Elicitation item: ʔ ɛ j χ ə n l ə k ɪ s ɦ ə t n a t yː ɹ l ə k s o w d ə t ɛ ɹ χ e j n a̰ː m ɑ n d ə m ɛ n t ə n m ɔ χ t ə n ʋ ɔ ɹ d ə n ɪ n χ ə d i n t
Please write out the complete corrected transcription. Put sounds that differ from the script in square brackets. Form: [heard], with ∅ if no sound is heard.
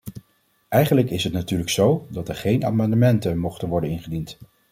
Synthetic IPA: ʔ ɛ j χ ə n l ə k ɪ s ɦ ə t n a t yː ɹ l ə k s o w d [ɑ] t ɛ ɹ χ e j n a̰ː m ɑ n d ə m ɛ n t ə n m ɔ χ t ə n ʋ ɔ ɹ d ə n ɪ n χ ə d i n t